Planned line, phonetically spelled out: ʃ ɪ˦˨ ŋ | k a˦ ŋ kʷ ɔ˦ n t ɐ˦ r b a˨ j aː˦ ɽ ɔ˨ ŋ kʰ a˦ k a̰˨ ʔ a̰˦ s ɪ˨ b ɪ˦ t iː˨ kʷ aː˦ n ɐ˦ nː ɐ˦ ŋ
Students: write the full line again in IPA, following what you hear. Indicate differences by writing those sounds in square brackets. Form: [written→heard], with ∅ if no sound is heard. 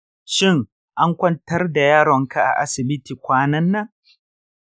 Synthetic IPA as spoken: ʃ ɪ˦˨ ŋ | [k→ʔ] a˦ ŋ kʷ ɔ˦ n t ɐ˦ r [b→d] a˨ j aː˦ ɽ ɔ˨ ŋ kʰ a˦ [k→ʔ] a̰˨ ʔ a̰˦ s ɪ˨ b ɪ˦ t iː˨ kʷ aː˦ n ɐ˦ nː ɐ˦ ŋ